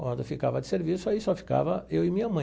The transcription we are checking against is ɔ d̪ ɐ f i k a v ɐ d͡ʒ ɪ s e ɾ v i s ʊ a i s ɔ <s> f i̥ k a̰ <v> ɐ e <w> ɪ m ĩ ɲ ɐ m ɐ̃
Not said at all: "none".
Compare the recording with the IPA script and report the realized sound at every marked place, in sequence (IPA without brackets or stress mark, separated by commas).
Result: none, v, w